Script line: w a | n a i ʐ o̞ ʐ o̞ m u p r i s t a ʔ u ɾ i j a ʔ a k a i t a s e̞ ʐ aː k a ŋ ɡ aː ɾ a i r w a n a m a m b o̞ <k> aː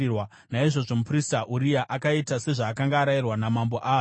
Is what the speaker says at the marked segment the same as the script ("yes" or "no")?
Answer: no